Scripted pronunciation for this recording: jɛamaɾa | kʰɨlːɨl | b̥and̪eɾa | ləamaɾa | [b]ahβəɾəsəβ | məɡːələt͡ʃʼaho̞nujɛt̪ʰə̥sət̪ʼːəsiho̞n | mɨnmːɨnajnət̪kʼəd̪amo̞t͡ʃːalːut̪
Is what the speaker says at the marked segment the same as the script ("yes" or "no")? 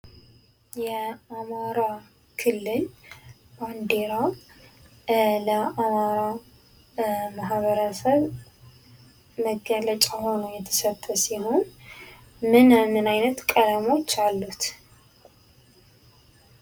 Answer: no